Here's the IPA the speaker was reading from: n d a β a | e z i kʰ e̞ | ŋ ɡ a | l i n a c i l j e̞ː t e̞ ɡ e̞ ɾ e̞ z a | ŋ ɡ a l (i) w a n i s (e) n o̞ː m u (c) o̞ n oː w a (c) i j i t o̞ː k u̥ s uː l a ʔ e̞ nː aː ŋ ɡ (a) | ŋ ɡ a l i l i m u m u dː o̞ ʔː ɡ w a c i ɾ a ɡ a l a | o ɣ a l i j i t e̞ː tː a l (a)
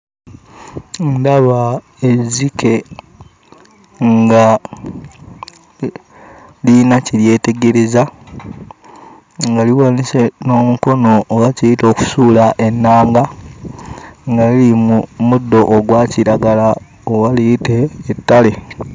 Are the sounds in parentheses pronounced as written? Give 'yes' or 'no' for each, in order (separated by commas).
yes, yes, no, yes, yes, no